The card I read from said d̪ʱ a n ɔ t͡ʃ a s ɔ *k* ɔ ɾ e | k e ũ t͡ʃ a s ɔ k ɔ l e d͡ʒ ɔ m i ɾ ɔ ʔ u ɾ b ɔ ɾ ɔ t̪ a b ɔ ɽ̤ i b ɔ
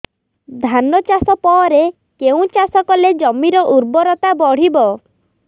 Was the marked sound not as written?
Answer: yes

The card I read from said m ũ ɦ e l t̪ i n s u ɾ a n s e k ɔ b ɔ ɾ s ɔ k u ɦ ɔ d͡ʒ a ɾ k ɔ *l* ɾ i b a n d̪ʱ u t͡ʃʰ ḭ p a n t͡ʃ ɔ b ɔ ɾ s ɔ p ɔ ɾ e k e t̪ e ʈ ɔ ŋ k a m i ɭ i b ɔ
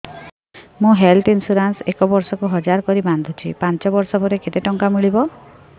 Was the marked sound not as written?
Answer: yes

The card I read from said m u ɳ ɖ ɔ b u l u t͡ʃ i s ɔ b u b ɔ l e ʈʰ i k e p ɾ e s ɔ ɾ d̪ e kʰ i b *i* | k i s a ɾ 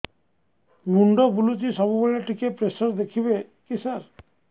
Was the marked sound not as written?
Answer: yes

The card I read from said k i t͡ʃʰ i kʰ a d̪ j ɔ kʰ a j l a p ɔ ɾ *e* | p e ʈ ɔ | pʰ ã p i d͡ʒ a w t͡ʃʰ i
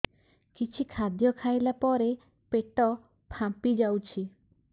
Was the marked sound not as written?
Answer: no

